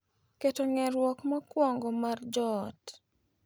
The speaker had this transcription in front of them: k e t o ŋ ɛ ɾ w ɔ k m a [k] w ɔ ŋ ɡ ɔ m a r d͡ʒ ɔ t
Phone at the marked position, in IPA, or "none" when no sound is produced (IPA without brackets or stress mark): k